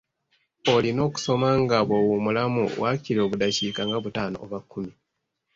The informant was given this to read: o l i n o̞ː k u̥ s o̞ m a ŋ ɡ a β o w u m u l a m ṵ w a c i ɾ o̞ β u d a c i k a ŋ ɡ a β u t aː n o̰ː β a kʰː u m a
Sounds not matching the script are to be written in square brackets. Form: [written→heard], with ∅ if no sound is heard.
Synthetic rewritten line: o l i n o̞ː k u̥ s o̞ m a ŋ ɡ a β o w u m u l a m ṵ w a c i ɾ o̞ β u d a c i k a ŋ ɡ a β u t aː n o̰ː β a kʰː u m [a→i]